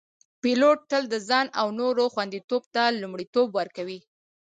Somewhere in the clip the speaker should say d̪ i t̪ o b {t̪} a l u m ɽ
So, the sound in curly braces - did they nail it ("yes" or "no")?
yes